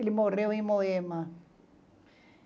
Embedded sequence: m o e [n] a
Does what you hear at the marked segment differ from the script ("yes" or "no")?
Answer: yes